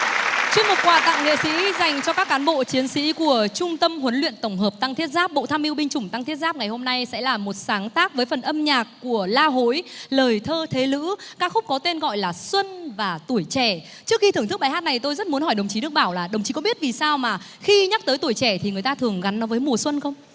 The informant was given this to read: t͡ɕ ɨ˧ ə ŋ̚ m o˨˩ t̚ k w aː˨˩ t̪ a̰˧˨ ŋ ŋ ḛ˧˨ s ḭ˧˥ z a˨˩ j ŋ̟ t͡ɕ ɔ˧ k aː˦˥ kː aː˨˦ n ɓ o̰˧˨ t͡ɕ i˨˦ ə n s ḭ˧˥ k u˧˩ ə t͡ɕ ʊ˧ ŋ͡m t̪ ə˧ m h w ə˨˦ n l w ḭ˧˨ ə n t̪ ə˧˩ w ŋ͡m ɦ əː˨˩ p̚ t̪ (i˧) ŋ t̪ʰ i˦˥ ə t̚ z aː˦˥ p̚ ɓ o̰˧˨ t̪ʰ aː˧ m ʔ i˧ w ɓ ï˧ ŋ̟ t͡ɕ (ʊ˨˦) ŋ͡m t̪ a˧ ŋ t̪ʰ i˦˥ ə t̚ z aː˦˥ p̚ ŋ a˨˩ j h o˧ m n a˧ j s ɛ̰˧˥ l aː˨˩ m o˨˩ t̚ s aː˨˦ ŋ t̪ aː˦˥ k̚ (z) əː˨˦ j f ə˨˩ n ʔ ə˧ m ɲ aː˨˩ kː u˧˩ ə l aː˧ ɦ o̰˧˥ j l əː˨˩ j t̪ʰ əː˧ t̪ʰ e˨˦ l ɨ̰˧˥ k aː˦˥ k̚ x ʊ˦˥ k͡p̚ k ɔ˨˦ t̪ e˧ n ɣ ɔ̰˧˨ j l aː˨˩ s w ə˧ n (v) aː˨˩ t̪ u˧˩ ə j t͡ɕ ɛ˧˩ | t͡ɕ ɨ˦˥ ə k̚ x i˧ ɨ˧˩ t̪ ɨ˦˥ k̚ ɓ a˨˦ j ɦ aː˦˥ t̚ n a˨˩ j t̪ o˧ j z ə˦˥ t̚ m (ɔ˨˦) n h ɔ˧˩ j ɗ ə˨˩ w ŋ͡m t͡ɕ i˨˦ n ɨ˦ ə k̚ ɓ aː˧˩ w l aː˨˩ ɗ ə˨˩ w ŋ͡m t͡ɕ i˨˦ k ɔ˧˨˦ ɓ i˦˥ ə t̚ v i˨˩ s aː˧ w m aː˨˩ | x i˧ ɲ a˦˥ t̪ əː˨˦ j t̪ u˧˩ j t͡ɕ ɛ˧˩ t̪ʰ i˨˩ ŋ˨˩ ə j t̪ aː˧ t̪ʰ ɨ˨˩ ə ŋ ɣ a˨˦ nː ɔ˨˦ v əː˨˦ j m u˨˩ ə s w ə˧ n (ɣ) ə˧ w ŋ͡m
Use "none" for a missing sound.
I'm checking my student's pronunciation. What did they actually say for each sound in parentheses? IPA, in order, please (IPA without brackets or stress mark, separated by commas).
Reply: a˧, ʊ˧˩, v, v, u˨˦, x